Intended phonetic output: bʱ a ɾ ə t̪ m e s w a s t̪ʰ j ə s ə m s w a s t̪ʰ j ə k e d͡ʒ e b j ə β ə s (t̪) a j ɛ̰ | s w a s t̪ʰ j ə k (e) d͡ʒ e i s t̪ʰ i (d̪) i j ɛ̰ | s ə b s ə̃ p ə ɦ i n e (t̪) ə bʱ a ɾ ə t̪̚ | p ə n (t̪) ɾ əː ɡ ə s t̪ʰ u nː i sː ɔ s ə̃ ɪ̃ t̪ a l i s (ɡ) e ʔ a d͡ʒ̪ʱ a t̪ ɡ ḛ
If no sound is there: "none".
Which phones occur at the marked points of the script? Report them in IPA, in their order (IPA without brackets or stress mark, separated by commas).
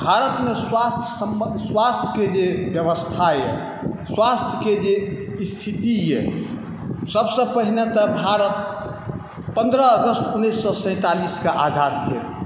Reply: t̪ʰ, e, t̪, t̪, d̪, k